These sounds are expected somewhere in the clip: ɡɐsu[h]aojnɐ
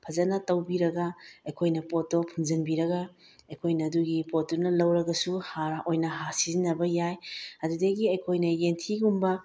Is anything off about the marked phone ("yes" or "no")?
no